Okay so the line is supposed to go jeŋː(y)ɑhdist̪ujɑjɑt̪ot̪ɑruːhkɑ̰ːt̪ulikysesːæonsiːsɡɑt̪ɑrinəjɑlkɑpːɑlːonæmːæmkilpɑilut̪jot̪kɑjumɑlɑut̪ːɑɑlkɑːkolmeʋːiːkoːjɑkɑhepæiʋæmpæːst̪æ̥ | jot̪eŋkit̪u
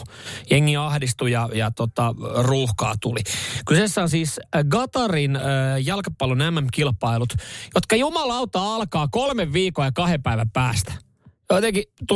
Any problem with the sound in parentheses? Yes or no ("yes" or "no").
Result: yes